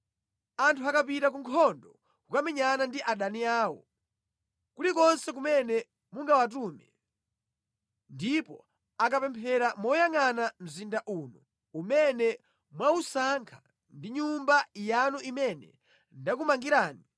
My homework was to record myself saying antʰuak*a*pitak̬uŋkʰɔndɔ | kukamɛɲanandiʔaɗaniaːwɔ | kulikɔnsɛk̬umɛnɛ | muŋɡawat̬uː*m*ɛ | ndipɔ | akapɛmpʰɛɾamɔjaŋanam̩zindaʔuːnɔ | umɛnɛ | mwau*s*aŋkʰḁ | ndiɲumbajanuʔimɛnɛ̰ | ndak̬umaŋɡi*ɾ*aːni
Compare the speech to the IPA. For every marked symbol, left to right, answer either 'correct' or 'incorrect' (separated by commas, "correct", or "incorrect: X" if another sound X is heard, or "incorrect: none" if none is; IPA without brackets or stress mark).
correct, correct, correct, correct